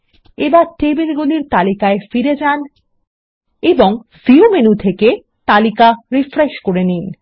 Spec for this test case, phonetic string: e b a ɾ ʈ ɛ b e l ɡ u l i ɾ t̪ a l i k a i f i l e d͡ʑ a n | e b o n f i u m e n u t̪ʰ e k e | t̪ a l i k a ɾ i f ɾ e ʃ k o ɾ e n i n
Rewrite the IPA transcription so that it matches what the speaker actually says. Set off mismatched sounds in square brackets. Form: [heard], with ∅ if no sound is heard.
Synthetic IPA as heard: e b a ɾ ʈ [e] b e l ɡ u l i ɾ t̪ a l i k a [e] f i [ɾ] e d͡ʑ a n | e b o [ŋ] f i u m e n u t̪ʰ e k e | t̪ a l i k a ɾ i f ɾ e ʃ k o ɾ e n i n